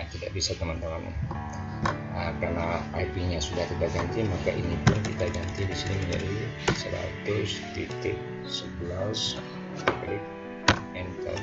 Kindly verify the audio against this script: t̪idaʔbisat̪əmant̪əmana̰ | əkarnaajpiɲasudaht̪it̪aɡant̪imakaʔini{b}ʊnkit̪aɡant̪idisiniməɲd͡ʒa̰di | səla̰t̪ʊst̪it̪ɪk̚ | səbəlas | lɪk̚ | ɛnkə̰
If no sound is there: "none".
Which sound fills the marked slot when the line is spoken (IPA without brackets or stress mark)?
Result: p